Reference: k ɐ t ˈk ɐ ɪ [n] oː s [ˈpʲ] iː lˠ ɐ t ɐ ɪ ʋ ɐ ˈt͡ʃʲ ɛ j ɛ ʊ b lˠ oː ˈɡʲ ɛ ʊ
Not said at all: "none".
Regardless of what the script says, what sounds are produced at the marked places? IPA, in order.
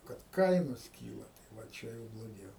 n, kʲ

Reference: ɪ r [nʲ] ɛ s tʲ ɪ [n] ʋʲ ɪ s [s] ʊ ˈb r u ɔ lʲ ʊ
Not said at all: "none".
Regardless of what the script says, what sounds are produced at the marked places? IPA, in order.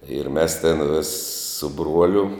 mʲ, n, s

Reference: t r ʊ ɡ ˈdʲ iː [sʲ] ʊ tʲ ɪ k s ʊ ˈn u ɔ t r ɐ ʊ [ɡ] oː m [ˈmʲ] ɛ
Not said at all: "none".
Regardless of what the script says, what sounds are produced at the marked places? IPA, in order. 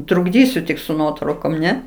sʲ, k, nʲ

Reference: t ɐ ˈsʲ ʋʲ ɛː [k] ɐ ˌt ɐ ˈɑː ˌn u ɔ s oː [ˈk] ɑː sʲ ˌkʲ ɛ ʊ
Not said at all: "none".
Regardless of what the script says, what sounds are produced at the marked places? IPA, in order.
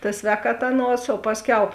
k, p

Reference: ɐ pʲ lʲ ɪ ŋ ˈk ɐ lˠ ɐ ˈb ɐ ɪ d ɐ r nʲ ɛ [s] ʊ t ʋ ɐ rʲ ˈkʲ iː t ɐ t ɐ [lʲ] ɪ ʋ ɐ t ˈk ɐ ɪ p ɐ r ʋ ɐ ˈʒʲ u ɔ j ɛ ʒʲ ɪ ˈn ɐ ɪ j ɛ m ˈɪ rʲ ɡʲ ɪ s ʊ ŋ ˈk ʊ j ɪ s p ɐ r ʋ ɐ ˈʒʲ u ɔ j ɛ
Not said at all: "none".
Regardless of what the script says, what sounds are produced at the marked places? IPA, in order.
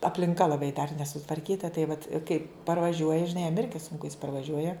s, none

